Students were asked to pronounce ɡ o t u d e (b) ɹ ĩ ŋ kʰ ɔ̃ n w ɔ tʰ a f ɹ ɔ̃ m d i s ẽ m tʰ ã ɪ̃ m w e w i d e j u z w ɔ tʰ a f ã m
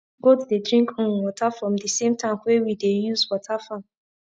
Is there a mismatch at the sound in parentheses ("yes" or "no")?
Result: yes